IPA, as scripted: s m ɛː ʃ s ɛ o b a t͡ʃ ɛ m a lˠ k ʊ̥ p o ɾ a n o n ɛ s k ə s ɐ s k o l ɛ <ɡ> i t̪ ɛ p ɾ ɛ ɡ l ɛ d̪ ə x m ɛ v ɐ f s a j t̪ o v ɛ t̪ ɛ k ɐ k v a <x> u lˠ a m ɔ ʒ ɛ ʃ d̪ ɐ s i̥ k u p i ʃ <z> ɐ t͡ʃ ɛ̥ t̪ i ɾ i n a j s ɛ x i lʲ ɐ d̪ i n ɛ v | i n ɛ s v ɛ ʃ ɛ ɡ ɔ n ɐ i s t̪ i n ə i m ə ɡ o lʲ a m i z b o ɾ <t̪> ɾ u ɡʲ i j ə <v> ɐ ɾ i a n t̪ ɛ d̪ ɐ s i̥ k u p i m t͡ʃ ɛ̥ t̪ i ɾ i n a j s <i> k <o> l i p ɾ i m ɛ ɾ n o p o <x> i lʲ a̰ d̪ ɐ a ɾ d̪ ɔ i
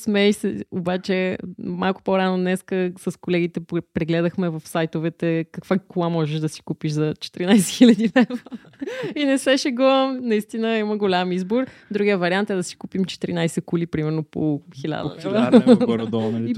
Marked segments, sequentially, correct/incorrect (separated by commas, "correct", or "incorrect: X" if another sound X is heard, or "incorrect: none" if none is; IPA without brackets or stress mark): correct, incorrect: k, correct, incorrect: d̪, correct, incorrect: ɛ, incorrect: u, correct